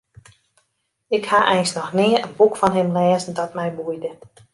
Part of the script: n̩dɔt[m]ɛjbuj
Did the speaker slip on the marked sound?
no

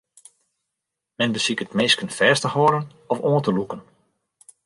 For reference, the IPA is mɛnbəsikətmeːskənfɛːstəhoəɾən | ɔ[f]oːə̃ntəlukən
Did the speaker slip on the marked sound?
no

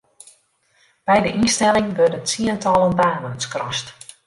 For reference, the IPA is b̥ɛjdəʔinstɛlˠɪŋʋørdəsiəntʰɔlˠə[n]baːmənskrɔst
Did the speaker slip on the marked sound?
no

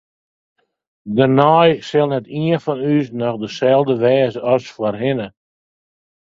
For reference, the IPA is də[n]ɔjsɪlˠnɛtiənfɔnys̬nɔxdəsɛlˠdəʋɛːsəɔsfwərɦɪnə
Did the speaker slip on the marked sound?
no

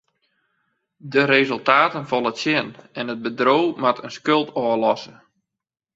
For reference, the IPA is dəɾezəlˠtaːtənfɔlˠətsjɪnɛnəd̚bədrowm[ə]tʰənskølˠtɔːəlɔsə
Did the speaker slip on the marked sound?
yes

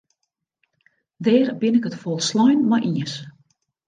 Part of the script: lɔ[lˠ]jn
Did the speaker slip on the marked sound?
yes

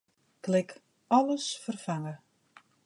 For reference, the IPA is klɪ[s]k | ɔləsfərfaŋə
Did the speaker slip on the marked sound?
yes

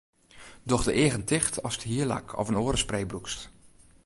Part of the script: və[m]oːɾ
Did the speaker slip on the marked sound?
yes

